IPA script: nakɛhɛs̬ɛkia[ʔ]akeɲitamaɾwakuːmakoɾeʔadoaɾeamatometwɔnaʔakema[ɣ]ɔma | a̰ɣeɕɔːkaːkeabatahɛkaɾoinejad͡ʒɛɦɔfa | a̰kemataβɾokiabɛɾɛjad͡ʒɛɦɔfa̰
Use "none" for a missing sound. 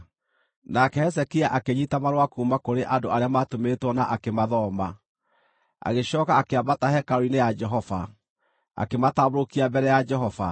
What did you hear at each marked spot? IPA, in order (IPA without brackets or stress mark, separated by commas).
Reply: ʔ, ð